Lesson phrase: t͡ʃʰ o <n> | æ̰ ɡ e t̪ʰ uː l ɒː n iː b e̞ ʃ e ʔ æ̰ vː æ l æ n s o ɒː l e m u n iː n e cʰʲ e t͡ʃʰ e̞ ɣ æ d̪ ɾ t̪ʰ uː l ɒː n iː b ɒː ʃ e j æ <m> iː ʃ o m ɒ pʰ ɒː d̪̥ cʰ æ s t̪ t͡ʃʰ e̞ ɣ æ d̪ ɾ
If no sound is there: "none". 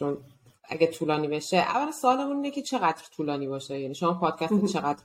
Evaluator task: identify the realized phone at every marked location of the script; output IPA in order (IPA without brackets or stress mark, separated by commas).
n, n